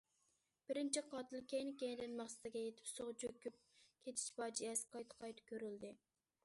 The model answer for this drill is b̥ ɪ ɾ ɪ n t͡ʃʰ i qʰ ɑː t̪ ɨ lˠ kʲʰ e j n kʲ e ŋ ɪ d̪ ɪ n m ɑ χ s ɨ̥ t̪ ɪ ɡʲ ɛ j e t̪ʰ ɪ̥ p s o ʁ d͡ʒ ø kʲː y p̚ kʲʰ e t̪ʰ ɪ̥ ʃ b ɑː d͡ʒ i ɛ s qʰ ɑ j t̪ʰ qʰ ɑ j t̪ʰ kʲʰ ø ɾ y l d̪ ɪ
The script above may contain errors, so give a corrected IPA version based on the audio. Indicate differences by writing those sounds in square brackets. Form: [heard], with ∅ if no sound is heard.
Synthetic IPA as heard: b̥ ɪ ɾ ɪ n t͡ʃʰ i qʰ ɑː t̪ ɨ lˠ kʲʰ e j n kʲ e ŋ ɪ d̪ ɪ n m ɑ χ s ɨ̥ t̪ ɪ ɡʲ ɛ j e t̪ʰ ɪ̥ p s o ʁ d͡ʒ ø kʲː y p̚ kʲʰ e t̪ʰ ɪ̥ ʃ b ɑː d͡ʒ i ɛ s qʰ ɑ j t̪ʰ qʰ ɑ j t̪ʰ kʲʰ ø ɾ y l d̪ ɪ